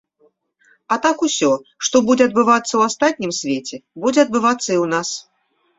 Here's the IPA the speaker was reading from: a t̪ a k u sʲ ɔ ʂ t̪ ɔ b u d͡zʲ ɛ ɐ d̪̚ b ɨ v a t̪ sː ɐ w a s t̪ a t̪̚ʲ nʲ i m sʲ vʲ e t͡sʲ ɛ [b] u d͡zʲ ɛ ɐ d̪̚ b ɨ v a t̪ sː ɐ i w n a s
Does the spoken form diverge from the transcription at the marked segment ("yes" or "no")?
no